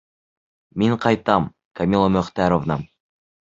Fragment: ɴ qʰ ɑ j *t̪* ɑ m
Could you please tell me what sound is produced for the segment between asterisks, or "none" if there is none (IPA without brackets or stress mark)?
t̪